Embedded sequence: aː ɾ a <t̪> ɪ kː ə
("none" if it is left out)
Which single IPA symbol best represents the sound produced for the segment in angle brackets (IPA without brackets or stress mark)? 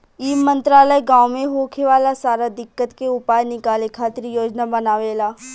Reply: d̪